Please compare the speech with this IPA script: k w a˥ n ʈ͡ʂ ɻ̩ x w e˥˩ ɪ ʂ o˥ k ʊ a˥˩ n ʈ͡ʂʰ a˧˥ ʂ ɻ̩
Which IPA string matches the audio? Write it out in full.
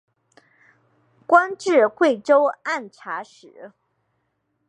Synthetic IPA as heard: k w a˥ n ʈ͡ʂ ɻ̩ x w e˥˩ ɪ ʈ͡ʂ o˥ ʊ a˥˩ n ʈ͡ʂʰ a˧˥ ʂ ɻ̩